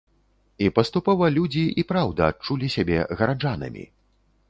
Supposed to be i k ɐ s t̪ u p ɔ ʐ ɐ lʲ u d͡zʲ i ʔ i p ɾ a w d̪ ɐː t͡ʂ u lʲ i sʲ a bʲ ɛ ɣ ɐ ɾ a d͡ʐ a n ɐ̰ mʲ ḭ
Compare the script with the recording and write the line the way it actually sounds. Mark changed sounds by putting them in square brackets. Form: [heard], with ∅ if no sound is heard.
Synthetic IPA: i [p] ɐ s t̪ u p ɔ [v] ɐ lʲ u d͡zʲ i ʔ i p ɾ a w d̪ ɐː t͡ʂ u lʲ i sʲ a bʲ ɛ ɣ ɐ ɾ a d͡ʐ a n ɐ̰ mʲ ḭ